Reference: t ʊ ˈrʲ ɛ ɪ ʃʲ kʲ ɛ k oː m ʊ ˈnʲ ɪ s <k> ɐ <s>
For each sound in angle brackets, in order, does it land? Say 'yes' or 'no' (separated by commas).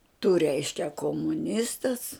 no, yes